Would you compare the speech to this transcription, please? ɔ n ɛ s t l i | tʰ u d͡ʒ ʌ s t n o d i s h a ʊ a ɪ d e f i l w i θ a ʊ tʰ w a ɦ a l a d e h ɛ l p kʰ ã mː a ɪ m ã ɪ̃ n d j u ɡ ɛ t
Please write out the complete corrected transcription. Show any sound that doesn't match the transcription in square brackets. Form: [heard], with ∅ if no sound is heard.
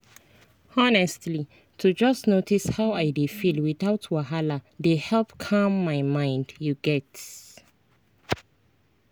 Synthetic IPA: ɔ n ɛ s t l i | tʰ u d͡ʒ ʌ s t n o [t] i s h a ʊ a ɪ d e f i l w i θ a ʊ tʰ w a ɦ a l a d e h ɛ l p kʰ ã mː a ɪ m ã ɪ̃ n d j u ɡ ɛ t

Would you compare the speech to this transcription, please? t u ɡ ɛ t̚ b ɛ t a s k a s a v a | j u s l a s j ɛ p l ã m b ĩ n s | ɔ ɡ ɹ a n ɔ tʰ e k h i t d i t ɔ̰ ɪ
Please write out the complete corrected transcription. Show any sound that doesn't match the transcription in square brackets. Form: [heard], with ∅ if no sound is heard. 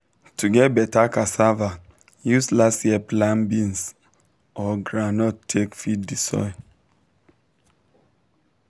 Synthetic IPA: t u ɡ ɛ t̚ b ɛ t a [∅] k a s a v a | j u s l a s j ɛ p l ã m b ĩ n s | ɔ ɡ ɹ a n ɔ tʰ e k [f] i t d i [s] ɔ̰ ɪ

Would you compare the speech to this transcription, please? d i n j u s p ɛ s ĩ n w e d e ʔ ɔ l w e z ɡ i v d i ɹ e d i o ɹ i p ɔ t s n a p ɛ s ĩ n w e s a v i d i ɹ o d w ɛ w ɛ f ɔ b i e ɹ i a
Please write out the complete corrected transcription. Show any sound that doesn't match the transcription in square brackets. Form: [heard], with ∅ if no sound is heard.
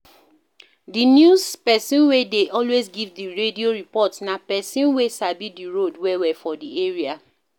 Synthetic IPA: d i n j u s p ɛ s ĩ n w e d e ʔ ɔ l w e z ɡ i v d i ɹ e d i o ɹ i p ɔ t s n a p ɛ s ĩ n w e s a [b] i d i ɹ o d w ɛ w ɛ f ɔ [d] i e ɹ i a

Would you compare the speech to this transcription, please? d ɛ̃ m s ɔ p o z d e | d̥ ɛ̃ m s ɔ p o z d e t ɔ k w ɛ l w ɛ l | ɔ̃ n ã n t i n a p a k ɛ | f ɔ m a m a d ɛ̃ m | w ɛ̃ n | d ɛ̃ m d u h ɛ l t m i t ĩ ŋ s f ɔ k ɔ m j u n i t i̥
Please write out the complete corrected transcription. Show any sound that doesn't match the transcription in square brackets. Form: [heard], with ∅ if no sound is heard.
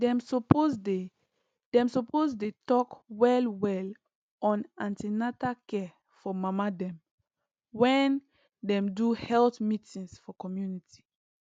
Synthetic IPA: d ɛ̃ m s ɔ p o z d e | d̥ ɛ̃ m s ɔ p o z d e t ɔ k w ɛ l w ɛ l | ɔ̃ n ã n t i n a [t] a k ɛ | f ɔ m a m a d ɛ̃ m | w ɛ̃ n | d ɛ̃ m d u h ɛ l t m i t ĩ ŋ s f ɔ k ɔ m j u n i t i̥

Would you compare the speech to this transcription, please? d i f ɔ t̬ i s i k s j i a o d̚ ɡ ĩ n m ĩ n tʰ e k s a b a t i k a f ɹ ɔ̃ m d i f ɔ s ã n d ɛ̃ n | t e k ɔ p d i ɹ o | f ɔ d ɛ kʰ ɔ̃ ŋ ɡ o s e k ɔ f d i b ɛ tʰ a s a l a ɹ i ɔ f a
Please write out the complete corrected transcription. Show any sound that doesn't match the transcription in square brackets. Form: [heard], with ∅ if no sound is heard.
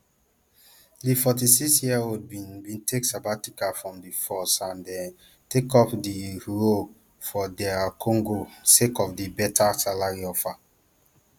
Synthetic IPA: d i f ɔ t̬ i s i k s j i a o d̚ [b] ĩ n [b] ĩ n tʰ e k s a b a t i k a f ɹ ɔ̃ m d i f ɔ s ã n d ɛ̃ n | t e k ɔ p d i ɹ o | f ɔ d ɛ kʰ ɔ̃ ŋ ɡ o s e k ɔ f d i b ɛ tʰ a s a l a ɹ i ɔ f a

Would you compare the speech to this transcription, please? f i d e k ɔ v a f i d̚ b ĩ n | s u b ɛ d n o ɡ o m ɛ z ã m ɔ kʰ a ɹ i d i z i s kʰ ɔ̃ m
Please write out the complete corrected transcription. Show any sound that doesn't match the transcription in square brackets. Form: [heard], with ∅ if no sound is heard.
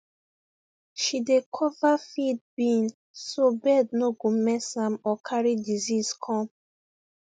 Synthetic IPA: [ʃ] i d e [kʰ] ɔ v a f i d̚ b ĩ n | s [o] b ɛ d n o ɡ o m ɛ [s] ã m ɔ kʰ a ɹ i d i z i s kʰ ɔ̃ m

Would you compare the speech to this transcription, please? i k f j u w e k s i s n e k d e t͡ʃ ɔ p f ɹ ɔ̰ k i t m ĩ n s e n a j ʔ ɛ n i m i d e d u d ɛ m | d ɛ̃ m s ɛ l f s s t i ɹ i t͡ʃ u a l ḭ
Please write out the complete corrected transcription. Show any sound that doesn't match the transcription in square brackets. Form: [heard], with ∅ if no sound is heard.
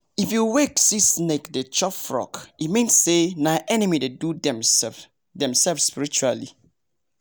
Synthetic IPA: i [∅] f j u w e k s i s n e k d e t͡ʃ ɔ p f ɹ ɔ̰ k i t m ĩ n s e n a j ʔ ɛ n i m i d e d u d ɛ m | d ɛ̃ m s ɛ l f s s [p] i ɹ i t͡ʃ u a l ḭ

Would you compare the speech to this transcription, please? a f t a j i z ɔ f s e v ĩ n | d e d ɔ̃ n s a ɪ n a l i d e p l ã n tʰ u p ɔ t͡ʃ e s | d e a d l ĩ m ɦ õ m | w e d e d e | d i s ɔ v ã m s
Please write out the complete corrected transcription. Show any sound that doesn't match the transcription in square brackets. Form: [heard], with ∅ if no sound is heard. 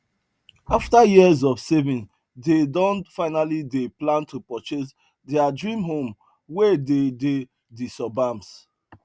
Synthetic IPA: a f t a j i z ɔ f s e v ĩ n | d e d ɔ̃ n [f] a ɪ n a l i d e p l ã n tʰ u p ɔ t͡ʃ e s | d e a d [ɹ] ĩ m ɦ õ m | w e d e d e | d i s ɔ [b] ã m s

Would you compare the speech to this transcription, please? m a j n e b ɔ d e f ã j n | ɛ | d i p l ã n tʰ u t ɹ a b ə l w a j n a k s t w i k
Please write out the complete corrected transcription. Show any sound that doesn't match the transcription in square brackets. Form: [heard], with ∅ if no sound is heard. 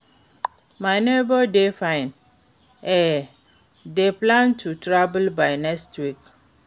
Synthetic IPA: m a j n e b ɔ d e f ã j n | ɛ | d [e] p l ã n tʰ u t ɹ a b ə l [b] a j n [ɛ] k s t w i k

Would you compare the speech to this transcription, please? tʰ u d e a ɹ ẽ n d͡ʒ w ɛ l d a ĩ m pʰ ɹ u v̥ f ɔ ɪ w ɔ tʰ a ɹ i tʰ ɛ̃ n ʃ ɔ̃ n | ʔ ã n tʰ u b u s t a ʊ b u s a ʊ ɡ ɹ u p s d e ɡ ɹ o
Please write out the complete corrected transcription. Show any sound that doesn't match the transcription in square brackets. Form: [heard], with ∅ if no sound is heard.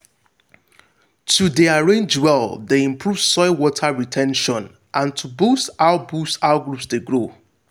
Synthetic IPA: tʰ u d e a ɹ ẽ n d͡ʒ w ɛ l d [e] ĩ m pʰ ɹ u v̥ [s] ɔ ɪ w ɔ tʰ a ɹ i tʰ ɛ̃ n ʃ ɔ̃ n | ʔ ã n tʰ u b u s t a ʊ b u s a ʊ ɡ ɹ u p s d e ɡ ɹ o

